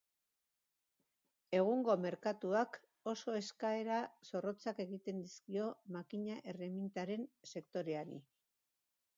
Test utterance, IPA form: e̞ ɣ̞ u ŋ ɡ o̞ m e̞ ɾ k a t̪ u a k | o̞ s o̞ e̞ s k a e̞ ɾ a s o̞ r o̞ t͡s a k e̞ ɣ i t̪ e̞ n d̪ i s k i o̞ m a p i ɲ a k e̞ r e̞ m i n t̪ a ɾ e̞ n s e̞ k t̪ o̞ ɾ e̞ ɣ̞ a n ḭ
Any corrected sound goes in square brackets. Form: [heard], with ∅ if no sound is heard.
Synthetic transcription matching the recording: e̞ ɣ̞ u ŋ ɡ o̞ m e̞ ɾ k a t̪ u a k | o̞ s o̞ e̞ s k a e̞ ɾ a s o̞ r o̞ t͡s a k e̞ ɣ i t̪ e̞ n d̪ i s k i o̞ m a [k] i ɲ a [ʔ] e̞ r e̞ m i n t̪ a ɾ e̞ n s e̞ k t̪ o̞ ɾ e̞ [∅] a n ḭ